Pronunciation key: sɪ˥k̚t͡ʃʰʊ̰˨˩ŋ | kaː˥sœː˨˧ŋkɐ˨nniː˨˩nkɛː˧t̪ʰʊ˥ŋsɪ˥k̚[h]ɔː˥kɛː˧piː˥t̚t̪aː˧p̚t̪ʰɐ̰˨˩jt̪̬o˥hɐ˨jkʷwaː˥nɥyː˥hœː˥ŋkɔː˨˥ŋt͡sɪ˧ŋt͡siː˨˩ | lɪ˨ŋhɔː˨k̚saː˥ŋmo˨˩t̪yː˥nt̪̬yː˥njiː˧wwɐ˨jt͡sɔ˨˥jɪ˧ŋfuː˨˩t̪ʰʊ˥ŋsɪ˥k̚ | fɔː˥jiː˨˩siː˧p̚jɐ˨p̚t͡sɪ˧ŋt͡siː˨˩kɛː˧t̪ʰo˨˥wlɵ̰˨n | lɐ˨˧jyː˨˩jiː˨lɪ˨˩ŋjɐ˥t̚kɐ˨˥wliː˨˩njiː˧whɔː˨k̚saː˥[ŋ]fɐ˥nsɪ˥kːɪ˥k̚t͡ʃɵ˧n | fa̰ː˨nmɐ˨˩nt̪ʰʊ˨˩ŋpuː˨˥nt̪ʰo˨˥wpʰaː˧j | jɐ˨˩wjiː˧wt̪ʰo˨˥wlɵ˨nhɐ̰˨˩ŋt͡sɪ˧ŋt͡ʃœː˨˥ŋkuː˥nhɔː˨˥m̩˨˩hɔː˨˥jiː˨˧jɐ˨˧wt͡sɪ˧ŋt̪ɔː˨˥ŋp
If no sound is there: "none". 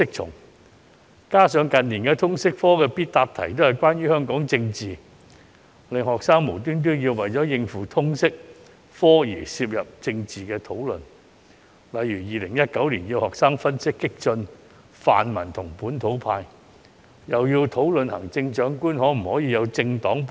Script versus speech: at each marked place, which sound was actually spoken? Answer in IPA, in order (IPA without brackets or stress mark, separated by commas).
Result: f, ŋ